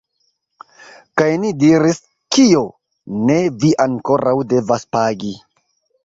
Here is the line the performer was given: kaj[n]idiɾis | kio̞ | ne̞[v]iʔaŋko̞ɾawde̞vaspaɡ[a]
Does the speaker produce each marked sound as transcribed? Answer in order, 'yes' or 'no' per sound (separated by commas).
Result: yes, yes, no